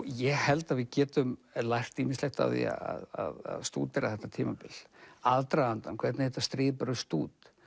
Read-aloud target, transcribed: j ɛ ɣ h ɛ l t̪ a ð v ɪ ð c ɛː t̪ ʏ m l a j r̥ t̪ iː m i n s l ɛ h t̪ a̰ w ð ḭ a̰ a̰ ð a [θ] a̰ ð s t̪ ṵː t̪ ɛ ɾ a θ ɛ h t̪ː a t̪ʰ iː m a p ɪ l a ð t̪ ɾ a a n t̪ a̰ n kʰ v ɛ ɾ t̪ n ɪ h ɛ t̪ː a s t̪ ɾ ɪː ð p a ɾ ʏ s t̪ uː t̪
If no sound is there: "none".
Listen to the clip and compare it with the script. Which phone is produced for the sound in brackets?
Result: ð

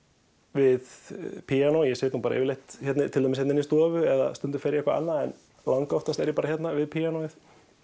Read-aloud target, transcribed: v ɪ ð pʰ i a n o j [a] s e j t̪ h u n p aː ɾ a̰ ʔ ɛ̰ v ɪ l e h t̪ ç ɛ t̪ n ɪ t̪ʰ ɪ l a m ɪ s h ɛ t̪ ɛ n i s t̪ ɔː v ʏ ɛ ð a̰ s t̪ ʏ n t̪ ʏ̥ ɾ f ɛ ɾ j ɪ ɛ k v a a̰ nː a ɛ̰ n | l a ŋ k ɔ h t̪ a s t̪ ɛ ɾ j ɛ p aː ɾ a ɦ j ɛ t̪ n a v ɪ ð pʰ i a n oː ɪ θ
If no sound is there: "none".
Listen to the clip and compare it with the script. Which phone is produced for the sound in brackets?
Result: ɛ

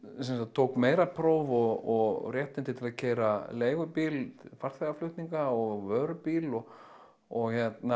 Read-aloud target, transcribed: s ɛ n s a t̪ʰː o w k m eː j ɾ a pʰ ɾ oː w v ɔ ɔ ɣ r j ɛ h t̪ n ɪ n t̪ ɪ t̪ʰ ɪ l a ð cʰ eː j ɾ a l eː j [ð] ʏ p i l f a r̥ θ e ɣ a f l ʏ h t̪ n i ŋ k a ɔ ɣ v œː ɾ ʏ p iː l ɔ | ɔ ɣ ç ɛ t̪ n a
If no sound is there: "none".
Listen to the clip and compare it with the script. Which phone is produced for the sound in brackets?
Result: ɣ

